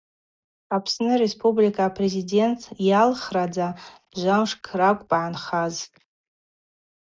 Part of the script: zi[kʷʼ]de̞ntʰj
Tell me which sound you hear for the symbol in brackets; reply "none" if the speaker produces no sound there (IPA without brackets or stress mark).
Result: none